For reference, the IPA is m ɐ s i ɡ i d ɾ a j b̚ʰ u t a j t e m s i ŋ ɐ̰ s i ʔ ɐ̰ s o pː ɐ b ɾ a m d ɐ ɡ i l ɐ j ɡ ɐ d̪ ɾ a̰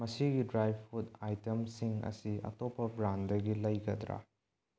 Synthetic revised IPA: m ɐ s i ɡ i d ɾ a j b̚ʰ u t a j t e m s i ŋ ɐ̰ s i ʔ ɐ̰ t o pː ɐ b ɾ a n d ɐ ɡ i l ɐ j ɡ ɐ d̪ ɾ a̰